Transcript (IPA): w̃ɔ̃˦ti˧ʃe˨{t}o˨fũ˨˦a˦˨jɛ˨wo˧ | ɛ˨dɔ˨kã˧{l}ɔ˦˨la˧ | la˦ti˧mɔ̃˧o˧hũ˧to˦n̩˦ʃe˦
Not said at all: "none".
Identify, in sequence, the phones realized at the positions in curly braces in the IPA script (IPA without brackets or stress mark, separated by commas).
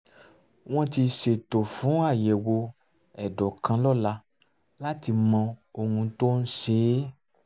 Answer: t, l